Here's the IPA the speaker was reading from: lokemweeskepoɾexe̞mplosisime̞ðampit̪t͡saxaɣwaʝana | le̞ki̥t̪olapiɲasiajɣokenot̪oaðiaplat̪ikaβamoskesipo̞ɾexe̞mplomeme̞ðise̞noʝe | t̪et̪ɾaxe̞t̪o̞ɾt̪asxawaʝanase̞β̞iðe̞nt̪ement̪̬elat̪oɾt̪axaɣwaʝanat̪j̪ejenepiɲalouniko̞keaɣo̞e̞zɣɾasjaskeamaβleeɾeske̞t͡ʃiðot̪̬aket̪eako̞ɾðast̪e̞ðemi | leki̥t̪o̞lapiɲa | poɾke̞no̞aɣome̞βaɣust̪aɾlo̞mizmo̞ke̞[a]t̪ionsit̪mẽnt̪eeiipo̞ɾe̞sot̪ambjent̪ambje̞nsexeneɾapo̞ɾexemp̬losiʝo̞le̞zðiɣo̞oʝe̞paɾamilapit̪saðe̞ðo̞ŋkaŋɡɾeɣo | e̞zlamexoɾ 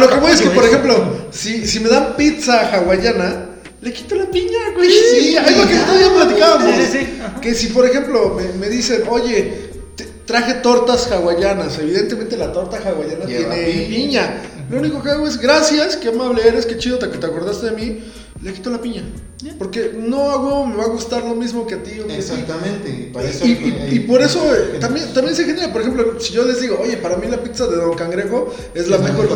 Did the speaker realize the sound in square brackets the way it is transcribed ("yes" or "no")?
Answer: yes